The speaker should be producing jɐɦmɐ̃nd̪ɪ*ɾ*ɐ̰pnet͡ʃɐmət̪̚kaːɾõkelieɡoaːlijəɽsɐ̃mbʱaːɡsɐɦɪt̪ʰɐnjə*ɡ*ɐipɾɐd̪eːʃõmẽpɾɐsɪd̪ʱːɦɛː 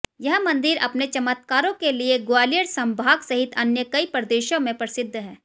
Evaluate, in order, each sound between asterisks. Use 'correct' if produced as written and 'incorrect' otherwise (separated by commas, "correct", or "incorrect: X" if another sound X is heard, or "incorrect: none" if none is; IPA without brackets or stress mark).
correct, incorrect: k